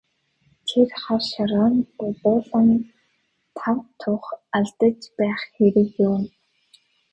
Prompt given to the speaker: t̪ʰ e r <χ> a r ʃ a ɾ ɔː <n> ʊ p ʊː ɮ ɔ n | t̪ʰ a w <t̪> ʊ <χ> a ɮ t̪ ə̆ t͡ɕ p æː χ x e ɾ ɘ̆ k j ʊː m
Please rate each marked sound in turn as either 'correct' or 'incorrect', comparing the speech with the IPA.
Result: correct, correct, incorrect: t̪ʰ, correct

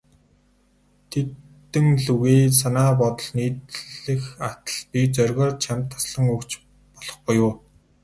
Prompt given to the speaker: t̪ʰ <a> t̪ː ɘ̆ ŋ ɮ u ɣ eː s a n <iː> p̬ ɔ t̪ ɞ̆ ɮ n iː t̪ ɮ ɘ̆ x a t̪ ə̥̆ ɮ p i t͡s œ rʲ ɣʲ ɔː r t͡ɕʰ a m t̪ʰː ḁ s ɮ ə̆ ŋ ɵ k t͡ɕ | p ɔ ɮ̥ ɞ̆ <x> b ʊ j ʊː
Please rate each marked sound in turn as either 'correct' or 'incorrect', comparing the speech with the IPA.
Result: incorrect: e, incorrect: aː, incorrect: χ

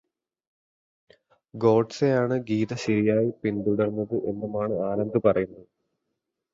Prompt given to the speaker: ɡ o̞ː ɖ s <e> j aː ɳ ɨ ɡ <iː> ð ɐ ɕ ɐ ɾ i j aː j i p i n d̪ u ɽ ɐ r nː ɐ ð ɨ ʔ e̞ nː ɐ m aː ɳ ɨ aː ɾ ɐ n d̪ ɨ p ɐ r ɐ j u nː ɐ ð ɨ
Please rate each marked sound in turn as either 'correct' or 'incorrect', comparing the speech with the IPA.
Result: correct, correct

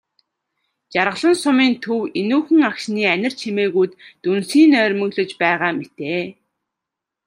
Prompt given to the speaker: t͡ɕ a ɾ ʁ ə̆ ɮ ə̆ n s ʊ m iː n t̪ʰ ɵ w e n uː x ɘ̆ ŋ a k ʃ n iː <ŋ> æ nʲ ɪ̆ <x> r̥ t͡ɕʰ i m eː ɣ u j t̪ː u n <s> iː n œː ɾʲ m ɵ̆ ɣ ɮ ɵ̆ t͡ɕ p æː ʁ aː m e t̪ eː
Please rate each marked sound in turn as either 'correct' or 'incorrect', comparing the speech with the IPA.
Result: incorrect: none, incorrect: none, correct

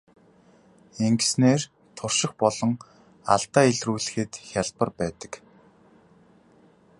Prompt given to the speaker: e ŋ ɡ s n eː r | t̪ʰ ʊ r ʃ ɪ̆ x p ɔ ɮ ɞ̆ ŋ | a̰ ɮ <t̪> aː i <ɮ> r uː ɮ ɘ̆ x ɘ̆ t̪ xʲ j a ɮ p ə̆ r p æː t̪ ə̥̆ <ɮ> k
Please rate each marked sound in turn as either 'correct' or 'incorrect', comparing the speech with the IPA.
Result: correct, correct, incorrect: none

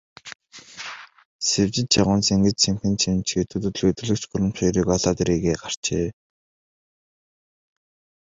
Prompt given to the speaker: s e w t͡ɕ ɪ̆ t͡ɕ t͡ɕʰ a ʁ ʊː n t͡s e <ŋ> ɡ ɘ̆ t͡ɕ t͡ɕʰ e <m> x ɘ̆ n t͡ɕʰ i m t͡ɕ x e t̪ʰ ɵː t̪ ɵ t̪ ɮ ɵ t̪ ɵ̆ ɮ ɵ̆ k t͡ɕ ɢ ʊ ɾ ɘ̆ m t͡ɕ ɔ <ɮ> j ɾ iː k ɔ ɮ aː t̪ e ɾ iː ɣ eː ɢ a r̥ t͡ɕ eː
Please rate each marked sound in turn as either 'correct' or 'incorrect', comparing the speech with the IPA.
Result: correct, correct, incorrect: none

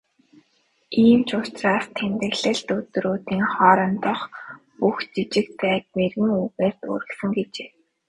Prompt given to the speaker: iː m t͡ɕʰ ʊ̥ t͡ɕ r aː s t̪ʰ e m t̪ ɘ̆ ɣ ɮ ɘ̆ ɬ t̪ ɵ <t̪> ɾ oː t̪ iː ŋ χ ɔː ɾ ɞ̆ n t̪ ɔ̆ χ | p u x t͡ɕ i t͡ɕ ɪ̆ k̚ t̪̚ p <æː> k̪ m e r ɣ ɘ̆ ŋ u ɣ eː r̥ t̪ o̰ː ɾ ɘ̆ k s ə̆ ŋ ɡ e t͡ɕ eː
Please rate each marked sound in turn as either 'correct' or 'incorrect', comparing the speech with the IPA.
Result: correct, correct

